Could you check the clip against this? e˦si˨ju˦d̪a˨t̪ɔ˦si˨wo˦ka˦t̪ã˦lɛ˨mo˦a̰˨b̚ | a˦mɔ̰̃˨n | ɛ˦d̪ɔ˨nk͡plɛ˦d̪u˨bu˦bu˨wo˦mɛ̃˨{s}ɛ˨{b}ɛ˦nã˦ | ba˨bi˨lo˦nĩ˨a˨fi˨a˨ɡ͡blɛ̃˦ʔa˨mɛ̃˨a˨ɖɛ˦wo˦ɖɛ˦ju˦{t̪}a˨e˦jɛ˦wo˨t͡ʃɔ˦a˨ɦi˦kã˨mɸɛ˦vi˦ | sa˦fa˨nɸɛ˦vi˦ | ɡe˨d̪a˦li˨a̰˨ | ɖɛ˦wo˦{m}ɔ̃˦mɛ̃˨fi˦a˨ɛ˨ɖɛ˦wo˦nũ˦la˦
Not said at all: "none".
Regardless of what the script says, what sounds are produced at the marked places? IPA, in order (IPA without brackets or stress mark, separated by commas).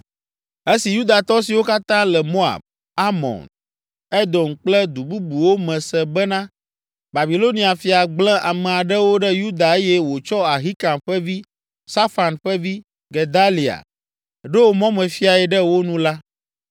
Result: s, b, d̪, m